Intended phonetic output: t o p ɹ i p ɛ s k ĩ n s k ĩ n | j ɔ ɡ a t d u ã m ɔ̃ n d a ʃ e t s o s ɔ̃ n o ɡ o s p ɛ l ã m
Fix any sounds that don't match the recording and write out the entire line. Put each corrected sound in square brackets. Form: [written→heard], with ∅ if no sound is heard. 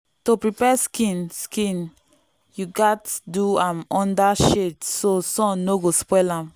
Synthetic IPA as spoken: t o p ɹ i p ɛ s k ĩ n s k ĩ n | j [ɔ→u] ɡ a t d u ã m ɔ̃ n d a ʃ e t s o s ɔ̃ n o ɡ o s p ɛ l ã m